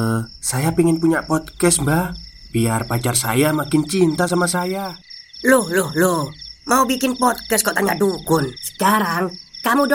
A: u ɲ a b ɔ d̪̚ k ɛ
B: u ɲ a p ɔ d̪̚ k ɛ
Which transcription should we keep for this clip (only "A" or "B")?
B